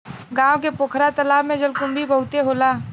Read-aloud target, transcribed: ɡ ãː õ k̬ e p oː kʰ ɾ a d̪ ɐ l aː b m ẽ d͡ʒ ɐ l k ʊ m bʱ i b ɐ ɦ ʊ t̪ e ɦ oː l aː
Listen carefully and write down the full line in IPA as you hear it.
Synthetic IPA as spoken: ɡ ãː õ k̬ e p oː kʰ ɾ a t̪ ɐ l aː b m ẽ d͡ʒ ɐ l k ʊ m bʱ i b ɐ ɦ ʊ t̪ e ɦ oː l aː